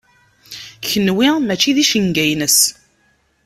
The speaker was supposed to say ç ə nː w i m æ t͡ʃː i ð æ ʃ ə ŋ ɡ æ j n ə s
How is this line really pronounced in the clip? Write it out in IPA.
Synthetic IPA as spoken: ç ə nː w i m æ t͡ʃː i ð i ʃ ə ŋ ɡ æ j n ə s

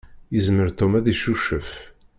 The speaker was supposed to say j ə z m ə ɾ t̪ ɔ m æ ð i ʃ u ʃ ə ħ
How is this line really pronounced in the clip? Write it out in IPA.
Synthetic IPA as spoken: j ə z m ə ɾ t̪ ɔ m æ ð i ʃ u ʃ ə f

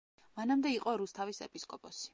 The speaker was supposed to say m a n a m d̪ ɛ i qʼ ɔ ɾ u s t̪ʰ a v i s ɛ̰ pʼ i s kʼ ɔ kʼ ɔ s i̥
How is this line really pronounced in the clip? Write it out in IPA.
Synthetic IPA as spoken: m a n a m d̪ ɛ i qʼ ɔ ɾ u s t̪ʰ a v i s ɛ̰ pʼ i s kʼ ɔ pʼ ɔ s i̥

